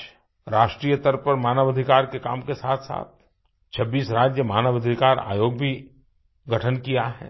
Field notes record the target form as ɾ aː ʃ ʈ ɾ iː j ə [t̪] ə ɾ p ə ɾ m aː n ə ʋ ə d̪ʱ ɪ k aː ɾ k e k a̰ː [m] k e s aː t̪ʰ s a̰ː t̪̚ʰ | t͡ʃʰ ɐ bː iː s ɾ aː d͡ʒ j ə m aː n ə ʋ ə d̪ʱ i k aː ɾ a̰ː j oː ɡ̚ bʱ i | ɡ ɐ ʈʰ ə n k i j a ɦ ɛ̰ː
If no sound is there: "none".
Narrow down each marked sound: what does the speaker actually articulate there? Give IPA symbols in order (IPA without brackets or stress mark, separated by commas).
t̪, m